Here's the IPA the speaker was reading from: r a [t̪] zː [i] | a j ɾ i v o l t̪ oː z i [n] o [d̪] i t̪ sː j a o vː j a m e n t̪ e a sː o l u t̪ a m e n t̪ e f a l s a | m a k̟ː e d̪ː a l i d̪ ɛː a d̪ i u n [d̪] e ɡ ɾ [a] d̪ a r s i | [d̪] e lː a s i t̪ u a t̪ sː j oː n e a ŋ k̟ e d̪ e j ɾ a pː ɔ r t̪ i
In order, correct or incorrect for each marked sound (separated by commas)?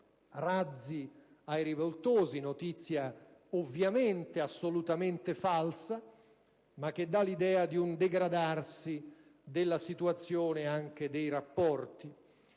incorrect, correct, correct, incorrect, correct, correct, correct